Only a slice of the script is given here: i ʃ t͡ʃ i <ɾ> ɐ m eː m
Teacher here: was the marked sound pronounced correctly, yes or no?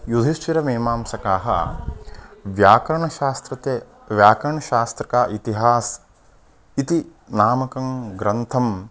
yes